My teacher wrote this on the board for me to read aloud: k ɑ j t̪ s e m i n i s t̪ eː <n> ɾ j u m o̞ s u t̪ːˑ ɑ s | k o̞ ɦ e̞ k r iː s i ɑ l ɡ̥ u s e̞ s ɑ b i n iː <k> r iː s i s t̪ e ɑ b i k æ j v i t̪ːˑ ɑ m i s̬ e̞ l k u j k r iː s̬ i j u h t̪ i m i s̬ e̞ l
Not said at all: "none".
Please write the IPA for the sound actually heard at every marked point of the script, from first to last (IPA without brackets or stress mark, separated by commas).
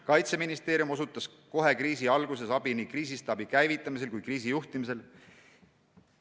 none, k